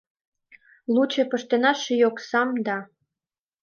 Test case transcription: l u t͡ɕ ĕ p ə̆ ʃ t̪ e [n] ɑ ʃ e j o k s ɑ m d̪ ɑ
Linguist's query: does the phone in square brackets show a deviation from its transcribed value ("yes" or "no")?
no